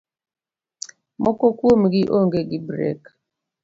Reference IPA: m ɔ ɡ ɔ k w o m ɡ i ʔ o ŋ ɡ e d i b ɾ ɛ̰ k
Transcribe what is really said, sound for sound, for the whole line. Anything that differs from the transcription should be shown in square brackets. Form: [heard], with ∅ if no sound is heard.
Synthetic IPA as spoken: m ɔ [k] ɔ k w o m ɡ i ʔ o ŋ ɡ e [ɡ] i b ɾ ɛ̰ k

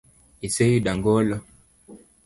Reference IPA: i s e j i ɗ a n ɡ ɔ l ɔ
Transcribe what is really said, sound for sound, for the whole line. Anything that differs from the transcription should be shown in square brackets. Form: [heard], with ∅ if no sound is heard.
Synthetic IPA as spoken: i s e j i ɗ a [ŋ] ɡ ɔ l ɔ

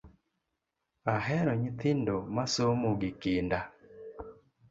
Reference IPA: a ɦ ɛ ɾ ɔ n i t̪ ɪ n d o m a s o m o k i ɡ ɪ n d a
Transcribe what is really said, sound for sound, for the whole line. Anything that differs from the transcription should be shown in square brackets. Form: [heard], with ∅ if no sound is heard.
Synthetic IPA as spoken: a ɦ ɛ ɾ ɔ [ɲ] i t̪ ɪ n d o m a s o m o [ɡ] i [k] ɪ n d a

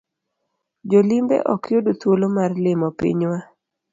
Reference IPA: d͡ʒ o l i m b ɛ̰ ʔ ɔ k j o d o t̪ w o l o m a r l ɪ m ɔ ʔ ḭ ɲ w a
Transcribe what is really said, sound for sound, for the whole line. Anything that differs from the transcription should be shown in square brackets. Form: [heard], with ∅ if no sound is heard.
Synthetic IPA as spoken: d͡ʒ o l i m b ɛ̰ ʔ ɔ k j o d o t̪ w o l o m a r l ɪ m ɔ [p] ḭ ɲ w a

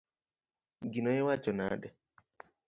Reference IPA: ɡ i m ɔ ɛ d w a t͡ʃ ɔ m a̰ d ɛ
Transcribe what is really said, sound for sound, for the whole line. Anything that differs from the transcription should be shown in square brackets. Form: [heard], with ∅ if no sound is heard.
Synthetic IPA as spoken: ɡ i [n] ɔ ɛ [∅] w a t͡ʃ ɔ [n] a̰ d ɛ

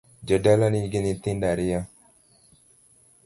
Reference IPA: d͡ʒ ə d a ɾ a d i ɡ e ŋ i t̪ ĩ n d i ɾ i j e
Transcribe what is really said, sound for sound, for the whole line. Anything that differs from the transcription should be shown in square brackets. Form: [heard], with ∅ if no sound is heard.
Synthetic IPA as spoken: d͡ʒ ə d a [l] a [n] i ɡ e [n] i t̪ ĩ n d [a] ɾ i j [a]

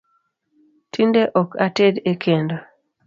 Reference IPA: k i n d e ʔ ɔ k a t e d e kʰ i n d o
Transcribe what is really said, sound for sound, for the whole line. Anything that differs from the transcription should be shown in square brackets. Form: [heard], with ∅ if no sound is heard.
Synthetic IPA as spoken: [t] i n d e ʔ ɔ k a t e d e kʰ [e] n d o

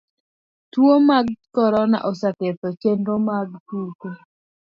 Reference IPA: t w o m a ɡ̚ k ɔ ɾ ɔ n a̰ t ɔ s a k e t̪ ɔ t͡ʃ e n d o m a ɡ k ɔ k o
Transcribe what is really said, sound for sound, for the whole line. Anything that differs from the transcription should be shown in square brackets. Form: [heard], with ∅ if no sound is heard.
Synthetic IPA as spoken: t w o m a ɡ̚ k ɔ ɾ ɔ n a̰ [ʔ] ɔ s a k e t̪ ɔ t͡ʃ e n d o m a ɡ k [u] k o

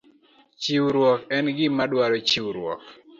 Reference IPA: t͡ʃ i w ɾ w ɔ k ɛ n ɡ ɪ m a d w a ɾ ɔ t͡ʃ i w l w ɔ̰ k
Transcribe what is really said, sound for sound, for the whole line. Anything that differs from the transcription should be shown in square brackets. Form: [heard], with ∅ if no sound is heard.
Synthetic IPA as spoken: t͡ʃ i w ɾ w ɔ k ɛ n ɡ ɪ m a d w a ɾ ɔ t͡ʃ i w [ɾ] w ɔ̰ k

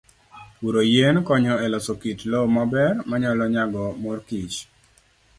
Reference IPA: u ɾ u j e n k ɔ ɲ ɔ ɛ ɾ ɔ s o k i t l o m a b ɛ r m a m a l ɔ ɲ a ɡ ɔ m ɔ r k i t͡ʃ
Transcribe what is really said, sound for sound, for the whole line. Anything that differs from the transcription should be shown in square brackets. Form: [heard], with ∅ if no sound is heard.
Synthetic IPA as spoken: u ɾ [o] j e n k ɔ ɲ ɔ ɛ [l] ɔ s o k i t l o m a b ɛ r m a [ɲ] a l ɔ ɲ a ɡ ɔ m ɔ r k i t͡ʃ

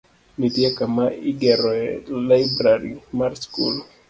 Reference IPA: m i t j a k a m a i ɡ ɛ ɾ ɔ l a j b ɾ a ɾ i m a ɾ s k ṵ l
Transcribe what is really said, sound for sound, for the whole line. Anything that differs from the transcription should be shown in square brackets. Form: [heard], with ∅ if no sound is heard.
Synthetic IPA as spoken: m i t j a k a m a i ɡ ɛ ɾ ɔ l a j b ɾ a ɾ i m a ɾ s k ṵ l

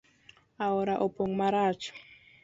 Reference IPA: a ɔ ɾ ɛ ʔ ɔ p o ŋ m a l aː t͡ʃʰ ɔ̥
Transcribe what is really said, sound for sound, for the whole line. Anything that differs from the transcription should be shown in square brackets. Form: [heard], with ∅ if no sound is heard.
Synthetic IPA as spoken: a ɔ ɾ [a] ʔ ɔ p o ŋ m a [ɾ] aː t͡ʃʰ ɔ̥

